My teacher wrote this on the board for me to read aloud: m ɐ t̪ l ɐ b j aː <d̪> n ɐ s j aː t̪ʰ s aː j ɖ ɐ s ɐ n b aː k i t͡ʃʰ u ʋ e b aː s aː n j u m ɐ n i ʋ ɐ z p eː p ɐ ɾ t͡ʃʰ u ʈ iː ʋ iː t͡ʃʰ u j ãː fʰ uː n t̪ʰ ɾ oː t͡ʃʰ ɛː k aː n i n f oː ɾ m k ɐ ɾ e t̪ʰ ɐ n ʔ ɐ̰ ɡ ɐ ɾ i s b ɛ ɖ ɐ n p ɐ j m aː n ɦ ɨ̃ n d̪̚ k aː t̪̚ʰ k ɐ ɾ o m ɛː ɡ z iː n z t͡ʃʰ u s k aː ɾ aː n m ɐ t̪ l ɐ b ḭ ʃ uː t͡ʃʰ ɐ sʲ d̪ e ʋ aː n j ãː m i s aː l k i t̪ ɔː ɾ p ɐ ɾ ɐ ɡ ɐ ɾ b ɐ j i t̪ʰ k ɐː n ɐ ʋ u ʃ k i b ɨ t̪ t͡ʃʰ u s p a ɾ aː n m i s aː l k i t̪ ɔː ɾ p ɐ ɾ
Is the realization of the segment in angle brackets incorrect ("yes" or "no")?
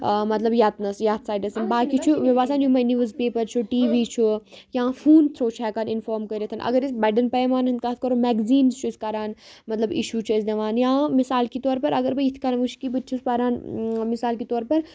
yes